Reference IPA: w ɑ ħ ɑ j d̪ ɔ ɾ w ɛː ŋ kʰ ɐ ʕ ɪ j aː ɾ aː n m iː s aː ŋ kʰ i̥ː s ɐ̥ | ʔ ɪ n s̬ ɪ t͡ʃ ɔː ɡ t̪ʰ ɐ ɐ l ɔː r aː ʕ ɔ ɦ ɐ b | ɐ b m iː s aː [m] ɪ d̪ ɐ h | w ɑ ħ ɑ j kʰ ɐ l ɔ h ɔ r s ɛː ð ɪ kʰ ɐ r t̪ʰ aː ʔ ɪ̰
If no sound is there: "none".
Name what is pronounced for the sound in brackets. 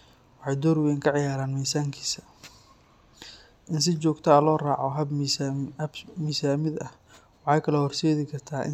m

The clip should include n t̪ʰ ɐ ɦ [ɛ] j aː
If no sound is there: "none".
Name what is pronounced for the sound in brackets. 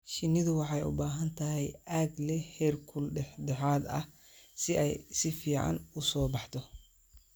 ɛ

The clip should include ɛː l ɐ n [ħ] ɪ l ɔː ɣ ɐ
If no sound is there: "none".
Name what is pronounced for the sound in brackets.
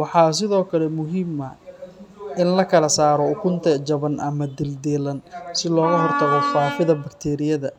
s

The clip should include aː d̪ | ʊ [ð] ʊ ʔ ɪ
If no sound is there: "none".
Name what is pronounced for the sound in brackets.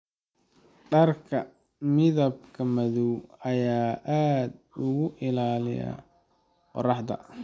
ɣ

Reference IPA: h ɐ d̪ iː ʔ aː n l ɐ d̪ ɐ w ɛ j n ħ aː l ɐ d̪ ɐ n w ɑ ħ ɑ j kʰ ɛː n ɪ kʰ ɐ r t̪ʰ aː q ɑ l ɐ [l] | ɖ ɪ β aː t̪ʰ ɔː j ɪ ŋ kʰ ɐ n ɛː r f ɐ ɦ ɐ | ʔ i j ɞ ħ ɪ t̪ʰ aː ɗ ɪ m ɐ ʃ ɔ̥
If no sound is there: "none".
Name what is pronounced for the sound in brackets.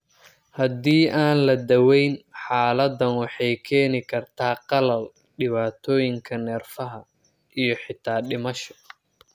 l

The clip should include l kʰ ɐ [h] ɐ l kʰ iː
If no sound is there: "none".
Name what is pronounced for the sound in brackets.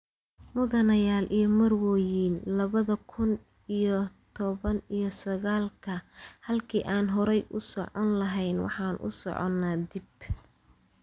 h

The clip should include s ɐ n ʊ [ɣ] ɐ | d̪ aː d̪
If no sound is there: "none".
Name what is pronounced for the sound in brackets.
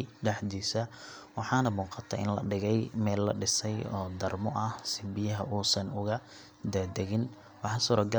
ɣ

